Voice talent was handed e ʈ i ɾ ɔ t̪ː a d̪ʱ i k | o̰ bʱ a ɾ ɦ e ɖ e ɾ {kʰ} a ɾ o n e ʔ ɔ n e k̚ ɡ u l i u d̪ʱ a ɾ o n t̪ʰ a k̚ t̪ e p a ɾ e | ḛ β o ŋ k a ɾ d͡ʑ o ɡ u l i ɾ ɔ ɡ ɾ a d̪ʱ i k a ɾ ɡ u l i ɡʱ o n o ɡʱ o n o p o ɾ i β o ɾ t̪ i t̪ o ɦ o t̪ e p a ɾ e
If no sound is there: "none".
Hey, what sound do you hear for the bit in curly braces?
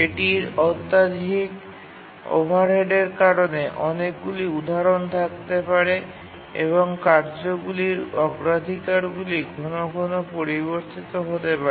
k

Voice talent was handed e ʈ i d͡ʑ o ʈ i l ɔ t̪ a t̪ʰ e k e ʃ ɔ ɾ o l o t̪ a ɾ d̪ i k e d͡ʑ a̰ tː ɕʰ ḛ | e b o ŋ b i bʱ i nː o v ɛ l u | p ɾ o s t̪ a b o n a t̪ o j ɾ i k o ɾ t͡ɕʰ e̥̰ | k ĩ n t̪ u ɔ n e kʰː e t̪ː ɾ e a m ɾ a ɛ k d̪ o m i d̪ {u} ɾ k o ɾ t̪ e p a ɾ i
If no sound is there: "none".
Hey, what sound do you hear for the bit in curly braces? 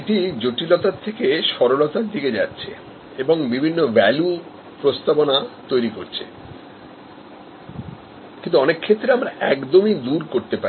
u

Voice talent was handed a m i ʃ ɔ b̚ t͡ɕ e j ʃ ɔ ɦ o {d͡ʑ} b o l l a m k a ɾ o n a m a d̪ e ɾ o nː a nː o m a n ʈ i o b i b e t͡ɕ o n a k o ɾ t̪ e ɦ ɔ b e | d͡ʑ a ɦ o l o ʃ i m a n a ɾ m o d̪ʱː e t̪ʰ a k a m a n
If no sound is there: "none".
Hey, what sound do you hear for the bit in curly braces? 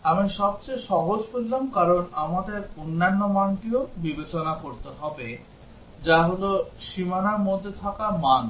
d͡ʑ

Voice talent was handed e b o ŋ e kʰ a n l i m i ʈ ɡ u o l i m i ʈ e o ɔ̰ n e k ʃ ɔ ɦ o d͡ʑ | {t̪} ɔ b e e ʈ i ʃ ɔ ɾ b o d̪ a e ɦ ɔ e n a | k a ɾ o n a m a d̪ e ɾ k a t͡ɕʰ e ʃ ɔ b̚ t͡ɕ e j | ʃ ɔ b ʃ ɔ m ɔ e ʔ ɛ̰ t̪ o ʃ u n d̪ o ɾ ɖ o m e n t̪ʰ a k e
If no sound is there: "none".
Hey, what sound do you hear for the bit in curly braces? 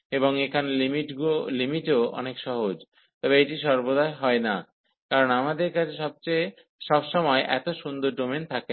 t̪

